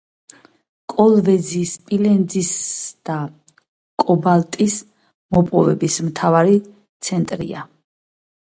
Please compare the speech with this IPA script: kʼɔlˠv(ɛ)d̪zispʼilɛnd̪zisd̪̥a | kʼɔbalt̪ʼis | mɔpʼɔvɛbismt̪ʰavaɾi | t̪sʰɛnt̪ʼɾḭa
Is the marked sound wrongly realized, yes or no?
no